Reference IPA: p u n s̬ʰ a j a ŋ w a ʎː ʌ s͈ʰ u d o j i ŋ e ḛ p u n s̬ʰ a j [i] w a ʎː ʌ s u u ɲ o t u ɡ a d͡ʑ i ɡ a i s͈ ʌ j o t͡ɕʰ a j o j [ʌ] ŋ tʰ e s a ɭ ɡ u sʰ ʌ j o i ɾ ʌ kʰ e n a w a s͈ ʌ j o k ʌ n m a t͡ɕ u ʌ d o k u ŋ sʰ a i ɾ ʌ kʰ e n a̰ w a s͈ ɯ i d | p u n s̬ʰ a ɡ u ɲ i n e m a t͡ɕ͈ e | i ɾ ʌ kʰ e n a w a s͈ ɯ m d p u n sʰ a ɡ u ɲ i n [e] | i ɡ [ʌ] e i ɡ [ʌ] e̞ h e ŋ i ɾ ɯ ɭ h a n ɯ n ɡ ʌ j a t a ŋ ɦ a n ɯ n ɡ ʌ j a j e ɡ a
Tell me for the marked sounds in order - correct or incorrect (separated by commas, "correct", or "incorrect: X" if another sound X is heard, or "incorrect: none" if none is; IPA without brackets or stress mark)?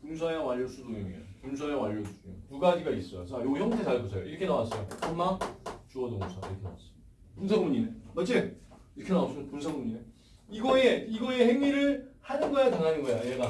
incorrect: a, correct, correct, correct, correct